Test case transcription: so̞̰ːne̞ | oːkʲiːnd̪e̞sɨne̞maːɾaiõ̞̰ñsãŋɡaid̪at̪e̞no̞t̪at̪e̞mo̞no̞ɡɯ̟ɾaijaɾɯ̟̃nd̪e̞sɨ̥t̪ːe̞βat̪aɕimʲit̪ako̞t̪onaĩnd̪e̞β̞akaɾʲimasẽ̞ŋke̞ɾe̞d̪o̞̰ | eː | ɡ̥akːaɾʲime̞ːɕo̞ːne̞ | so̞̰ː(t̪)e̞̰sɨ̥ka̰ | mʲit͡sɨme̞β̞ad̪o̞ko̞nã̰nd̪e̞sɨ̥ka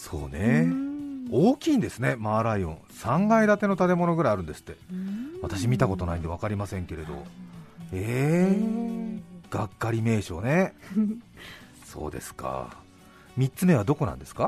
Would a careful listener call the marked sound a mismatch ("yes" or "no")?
yes